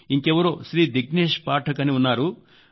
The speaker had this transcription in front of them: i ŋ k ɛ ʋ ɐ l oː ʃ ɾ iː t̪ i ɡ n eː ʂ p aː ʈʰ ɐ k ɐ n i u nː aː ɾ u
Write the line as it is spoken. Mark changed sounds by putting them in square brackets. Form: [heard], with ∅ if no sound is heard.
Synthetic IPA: i ŋ k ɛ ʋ ɐ [ɾ] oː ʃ ɾ iː [d̪] i ɡ n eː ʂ p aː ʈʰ ɐ k ɐ n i u nː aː ɾ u

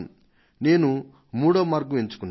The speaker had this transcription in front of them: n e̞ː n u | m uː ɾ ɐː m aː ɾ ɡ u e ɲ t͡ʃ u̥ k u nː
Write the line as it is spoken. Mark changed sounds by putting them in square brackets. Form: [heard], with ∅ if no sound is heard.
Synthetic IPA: n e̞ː n u | m uː [ɽ] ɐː m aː ɾ ɡ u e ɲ t͡ʃ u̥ k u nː

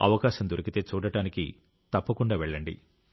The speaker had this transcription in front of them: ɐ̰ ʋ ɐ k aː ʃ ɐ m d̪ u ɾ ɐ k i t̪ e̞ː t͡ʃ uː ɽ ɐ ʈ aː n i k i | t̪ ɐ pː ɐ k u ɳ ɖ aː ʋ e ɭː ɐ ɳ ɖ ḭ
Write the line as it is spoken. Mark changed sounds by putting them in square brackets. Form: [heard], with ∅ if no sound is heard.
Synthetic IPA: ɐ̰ ʋ ɐ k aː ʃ ɐ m d̪ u ɾ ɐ k i t̪ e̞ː t͡ʃ uː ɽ ɐ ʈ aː n i k i | t̪ ɐ pː ɐ k u ɳ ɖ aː ʋ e ɭː ɐ ɳ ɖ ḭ

